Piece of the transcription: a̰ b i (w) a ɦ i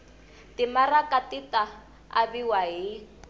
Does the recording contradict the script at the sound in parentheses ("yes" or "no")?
no